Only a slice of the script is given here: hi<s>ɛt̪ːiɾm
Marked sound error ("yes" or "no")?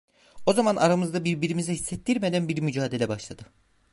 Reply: yes